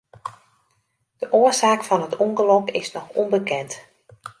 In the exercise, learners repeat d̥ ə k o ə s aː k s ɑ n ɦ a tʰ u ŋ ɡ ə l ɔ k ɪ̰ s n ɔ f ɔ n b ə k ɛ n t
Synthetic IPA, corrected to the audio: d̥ ə ʔ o ə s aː k f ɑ n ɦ ə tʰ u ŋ ɡ ə l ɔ k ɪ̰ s n ɔ x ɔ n b ə k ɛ n t